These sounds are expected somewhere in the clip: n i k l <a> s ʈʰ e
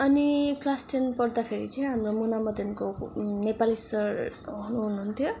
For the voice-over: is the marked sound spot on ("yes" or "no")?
yes